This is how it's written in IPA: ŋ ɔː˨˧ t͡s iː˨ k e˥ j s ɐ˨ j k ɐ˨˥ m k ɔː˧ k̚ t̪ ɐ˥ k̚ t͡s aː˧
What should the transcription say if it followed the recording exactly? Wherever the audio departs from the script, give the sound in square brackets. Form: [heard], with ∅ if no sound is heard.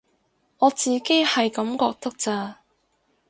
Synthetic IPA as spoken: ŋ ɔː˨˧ t͡s iː˨ k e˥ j [h] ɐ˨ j k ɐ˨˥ m k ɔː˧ k̚ t̪ ɐ˥ k̚ t͡s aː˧